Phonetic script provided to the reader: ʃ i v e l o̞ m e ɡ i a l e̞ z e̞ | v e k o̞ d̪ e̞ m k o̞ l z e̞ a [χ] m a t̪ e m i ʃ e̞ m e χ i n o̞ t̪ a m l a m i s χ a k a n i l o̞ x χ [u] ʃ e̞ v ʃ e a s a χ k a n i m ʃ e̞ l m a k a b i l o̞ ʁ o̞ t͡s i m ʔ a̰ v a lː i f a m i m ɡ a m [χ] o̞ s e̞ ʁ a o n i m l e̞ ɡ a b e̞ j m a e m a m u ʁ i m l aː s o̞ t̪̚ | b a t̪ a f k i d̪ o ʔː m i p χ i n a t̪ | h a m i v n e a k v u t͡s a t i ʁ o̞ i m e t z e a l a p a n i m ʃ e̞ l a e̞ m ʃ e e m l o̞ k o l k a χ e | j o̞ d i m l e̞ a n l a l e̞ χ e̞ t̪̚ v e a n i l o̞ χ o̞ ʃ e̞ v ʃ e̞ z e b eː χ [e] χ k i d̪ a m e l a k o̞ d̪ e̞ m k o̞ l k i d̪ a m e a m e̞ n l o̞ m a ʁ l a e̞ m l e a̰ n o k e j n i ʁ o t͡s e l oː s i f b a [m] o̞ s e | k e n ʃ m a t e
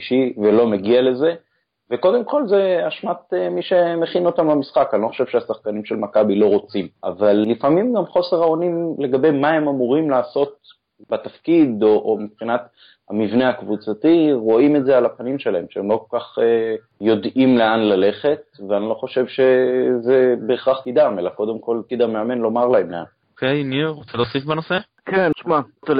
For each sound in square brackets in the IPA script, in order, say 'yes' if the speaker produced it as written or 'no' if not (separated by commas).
no, no, yes, no, no